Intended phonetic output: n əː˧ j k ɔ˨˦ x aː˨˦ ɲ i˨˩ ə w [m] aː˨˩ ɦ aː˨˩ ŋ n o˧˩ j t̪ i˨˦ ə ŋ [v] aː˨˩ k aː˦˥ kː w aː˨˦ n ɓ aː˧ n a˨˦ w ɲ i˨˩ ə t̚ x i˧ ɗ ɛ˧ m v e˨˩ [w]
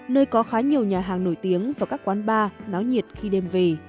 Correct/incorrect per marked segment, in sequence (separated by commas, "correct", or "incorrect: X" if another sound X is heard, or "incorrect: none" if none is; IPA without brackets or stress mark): incorrect: ɲ, correct, incorrect: none